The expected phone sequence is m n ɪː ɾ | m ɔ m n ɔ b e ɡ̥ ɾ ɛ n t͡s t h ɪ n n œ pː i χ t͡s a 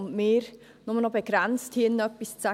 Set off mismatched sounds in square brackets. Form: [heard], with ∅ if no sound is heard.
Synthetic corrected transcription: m [m] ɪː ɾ | [n] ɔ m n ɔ b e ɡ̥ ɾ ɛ n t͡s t h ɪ n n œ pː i [s] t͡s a